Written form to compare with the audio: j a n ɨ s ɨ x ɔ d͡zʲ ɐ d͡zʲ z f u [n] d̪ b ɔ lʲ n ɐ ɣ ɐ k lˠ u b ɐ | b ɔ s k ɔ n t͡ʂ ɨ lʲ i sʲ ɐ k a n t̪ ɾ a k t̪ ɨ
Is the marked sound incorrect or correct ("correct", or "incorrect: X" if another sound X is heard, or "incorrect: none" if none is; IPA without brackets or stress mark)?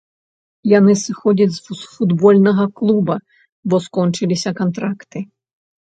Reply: incorrect: none